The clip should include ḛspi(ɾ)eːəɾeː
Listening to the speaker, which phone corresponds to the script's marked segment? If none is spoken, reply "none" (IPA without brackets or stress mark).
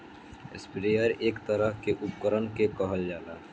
ɾ